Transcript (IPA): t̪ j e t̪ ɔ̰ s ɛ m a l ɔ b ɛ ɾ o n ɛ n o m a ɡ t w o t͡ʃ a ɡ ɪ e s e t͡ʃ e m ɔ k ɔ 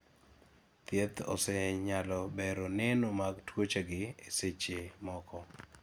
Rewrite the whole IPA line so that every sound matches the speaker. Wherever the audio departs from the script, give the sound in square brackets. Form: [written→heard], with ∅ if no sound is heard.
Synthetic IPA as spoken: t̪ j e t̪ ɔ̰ s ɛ [m→ɲ] a l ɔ b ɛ ɾ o n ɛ n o m a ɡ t w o t͡ʃ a ɡ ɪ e s e t͡ʃ e m ɔ k ɔ